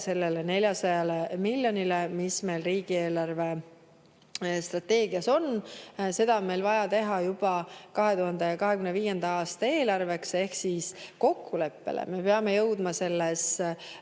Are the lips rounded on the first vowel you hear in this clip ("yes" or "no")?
no